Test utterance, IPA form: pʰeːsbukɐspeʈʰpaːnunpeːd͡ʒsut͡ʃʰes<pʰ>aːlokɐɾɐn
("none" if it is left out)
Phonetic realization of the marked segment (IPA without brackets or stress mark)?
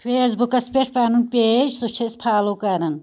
pʰ